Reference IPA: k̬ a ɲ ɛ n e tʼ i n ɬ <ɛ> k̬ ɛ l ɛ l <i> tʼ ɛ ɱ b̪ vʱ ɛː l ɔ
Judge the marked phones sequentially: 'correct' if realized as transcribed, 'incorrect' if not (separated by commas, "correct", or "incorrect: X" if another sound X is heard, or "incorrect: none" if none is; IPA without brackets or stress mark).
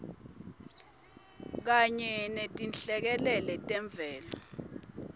correct, incorrect: ɛ